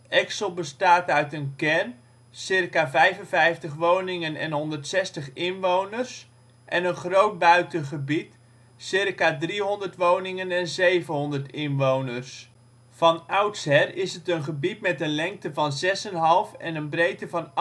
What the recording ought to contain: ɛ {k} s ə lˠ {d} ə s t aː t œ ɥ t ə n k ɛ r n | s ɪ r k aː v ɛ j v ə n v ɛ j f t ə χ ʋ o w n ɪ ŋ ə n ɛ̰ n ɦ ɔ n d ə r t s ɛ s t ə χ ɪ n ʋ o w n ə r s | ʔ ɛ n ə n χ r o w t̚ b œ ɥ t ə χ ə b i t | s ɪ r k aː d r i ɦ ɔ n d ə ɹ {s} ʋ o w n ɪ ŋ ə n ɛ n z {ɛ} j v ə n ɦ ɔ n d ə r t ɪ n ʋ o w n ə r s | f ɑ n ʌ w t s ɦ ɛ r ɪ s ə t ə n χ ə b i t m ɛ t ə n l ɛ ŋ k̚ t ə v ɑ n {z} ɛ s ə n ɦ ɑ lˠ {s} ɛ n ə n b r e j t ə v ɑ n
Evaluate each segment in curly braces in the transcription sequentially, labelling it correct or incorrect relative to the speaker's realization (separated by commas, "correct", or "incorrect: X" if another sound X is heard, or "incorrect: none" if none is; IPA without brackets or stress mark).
correct, incorrect: b, incorrect: t, incorrect: e, correct, incorrect: f